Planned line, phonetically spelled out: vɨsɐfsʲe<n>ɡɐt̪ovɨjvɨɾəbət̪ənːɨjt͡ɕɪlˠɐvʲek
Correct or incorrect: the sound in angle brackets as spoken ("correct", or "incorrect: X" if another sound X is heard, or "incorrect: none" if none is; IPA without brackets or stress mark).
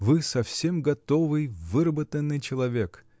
incorrect: m